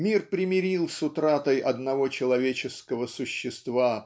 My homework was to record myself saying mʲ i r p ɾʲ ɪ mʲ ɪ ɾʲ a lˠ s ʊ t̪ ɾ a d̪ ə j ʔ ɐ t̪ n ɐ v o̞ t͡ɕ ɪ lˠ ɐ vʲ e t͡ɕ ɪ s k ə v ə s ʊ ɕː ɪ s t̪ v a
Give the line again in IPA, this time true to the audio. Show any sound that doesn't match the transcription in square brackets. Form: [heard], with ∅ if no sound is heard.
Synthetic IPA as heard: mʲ i r p ɾʲ ɪ mʲ ɪ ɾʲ [i] lˠ s ʊ t̪ ɾ a [t̪] ə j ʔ ɐ [d̪] n ɐ v o̞ t͡ɕ ɪ lˠ ɐ vʲ e t͡ɕ ɪ s k ə v ə s ʊ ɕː ɪ s t̪ v a